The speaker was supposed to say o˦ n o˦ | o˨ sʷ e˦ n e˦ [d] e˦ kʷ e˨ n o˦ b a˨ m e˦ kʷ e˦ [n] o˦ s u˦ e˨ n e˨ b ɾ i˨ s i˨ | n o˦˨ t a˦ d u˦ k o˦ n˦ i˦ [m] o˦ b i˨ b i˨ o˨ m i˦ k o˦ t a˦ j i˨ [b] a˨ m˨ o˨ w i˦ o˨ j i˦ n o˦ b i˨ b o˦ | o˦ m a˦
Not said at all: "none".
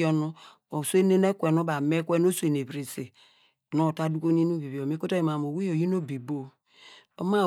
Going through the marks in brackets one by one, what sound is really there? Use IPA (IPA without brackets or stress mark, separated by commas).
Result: n, n, n, m